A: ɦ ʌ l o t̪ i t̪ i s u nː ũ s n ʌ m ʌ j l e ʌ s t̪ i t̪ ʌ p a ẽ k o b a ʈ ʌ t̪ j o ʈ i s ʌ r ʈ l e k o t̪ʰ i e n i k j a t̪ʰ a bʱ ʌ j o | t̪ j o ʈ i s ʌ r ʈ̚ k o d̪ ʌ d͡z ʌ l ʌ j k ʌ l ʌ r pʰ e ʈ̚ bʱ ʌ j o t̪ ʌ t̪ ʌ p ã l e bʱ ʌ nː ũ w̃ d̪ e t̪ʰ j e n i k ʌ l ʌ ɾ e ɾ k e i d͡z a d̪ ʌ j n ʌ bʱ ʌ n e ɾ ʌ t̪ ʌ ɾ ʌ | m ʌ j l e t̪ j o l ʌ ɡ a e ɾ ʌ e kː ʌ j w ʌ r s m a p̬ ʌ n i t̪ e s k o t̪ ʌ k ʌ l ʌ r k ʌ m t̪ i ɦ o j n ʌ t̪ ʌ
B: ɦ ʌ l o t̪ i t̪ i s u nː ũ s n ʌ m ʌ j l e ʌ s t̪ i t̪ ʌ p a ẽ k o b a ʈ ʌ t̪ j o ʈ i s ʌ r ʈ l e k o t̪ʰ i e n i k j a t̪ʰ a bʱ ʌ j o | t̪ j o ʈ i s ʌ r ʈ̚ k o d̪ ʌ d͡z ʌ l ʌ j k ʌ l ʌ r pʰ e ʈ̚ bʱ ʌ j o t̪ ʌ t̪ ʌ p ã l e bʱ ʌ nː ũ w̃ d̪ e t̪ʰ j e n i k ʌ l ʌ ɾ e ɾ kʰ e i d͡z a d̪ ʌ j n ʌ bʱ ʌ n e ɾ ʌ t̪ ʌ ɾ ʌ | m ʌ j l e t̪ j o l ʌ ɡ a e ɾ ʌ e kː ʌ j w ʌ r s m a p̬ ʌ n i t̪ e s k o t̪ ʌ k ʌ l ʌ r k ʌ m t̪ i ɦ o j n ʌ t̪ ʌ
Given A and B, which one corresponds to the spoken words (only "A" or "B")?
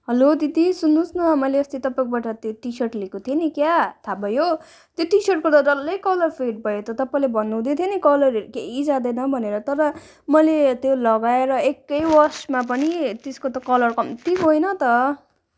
A